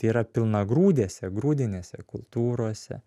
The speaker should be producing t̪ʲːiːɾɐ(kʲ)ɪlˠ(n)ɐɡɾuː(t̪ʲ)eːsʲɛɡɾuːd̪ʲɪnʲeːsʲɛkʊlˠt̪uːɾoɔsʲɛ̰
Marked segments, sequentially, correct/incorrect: incorrect: pʲ, correct, incorrect: d̪ʲ

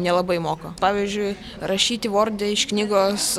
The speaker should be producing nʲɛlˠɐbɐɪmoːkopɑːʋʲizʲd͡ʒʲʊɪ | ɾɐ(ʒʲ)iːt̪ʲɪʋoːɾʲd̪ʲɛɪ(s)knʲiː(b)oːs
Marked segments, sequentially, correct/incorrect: incorrect: ʃʲ, incorrect: ʃ, incorrect: ɡ

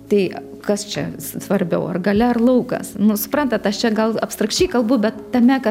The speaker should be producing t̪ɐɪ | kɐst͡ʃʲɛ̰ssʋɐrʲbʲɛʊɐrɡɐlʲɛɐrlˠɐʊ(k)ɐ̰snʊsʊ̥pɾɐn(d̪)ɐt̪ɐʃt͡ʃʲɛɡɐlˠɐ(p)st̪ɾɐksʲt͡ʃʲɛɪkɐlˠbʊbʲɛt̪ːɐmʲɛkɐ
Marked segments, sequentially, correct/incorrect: correct, incorrect: t̪, correct

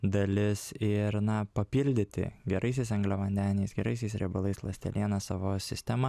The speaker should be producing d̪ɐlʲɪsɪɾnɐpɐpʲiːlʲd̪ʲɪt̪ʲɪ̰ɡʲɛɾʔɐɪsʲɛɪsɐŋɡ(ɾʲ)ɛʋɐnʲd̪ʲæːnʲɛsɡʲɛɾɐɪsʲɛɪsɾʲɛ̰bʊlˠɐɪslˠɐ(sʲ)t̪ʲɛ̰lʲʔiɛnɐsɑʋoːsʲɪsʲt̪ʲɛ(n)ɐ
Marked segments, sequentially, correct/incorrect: incorrect: lʲ, correct, incorrect: m

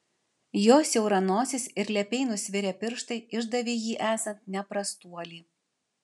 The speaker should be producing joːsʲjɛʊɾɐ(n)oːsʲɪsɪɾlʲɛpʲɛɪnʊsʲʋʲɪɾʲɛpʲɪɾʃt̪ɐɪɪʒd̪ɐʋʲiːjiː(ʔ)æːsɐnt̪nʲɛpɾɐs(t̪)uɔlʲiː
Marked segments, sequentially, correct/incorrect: correct, correct, correct

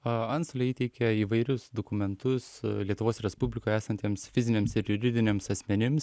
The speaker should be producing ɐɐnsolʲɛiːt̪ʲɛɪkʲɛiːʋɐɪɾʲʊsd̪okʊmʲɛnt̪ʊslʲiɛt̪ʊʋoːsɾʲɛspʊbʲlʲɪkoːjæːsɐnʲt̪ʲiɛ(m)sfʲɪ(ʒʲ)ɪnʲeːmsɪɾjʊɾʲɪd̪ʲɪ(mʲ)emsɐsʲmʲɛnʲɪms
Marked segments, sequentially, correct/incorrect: correct, incorrect: zʲ, incorrect: nʲ

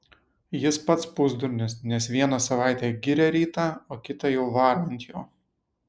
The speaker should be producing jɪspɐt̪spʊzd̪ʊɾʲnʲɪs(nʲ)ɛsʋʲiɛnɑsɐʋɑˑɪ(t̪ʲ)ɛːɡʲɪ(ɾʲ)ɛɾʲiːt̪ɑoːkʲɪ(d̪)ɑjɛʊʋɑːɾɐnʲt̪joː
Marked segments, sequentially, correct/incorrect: correct, correct, correct, incorrect: t̪

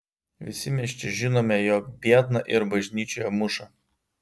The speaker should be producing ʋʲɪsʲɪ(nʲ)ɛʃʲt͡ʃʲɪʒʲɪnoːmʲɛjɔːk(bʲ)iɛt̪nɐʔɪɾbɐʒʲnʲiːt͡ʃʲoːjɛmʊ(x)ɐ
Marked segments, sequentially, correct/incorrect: incorrect: mʲ, correct, incorrect: ʃ

